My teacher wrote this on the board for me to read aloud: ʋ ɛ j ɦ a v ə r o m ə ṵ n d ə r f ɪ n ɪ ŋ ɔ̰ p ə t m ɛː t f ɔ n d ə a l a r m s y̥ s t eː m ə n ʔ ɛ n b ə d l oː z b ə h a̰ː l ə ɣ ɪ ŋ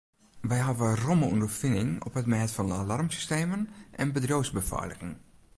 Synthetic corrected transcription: ʋ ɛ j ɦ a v ə r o m ə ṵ n d ə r f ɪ n ɪ ŋ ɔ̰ p ə t m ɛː t f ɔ n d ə a l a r m s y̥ s t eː m ə n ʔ ɛ n b ə d r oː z b ə f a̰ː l ə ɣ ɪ ŋ